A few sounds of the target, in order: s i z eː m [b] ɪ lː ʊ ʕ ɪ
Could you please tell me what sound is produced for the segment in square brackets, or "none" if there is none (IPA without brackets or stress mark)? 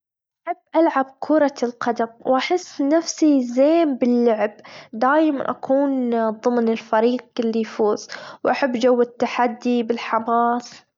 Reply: b